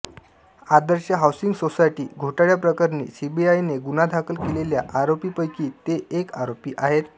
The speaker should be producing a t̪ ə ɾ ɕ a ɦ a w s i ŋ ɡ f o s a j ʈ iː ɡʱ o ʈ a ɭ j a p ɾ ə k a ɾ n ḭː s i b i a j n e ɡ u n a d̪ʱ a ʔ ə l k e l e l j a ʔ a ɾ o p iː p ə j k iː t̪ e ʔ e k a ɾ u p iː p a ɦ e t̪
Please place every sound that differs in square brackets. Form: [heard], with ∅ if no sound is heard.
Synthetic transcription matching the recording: a [d̪] ə ɾ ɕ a ɦ a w s i ŋ ɡ [s] o s a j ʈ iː ɡʱ o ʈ a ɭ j a p ɾ ə k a ɾ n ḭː s i b i a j n e ɡ u n a d̪ʱ a [k] ə l k e l e l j a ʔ a ɾ o p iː p ə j k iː t̪ e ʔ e k a ɾ [o] p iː [ʔ] a ɦ e t̪